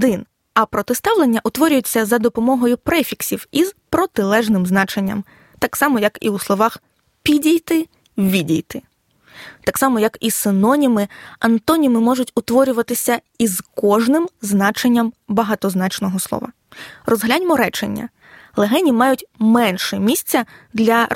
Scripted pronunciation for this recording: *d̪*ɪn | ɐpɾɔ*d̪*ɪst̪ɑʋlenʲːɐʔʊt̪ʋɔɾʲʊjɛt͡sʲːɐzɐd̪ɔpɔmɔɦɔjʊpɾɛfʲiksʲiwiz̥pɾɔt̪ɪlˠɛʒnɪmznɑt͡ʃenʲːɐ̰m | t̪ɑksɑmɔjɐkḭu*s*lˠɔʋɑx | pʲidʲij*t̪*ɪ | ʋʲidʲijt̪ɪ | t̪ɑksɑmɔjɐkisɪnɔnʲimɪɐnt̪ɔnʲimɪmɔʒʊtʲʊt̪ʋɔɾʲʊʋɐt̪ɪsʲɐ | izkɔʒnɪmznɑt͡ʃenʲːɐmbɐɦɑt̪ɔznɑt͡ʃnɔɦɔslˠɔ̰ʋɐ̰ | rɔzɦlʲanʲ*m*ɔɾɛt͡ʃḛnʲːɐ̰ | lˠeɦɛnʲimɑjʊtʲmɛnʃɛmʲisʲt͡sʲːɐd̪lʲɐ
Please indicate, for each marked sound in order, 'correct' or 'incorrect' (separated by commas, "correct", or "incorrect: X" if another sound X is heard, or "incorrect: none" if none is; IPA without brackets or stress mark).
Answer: correct, incorrect: t̪, correct, correct, correct